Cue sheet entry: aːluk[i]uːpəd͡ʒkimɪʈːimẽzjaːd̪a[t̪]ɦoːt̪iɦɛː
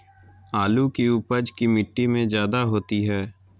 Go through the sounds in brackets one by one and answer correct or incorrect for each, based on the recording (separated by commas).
correct, incorrect